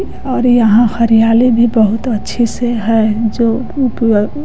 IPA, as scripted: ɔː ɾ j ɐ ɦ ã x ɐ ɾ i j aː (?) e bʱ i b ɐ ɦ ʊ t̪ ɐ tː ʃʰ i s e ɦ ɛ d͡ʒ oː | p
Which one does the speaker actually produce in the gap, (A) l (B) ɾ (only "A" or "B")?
A